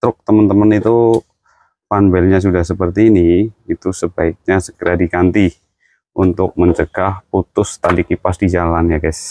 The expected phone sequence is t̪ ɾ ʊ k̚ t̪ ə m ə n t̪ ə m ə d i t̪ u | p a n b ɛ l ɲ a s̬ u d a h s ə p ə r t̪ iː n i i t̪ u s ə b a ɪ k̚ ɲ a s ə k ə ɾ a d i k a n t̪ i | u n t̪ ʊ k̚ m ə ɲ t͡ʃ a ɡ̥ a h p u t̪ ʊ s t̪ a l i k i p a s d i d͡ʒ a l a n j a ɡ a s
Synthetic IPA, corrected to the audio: t̪ ɾ ʊ k̚ t̪ ə m ə n t̪ ə m ə n i t̪ u | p a n b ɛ l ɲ a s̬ u d a h s ə p ə r t̪ iː n i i t̪ u s ə b a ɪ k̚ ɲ a s ə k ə ɾ a d i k a n t̪ i | u n t̪ ʊ k̚ m ə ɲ t͡ʃ ə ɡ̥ a h p u t̪ ʊ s t̪ a l i k i p a s d i d͡ʒ a l a n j a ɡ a s